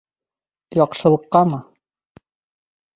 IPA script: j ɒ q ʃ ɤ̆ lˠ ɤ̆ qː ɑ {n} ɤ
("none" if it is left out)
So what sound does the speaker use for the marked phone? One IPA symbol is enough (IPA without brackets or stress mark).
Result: m